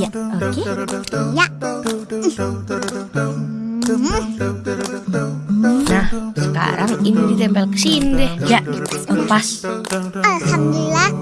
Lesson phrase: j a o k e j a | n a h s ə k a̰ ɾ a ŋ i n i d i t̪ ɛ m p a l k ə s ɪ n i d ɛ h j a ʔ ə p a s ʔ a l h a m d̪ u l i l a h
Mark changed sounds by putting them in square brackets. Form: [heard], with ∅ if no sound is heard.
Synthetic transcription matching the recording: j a o k e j a | n a h s ə k a̰ ɾ a ŋ i n i d i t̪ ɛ m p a l k ə s [i] n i d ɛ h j a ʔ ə p a s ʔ a l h a m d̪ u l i l a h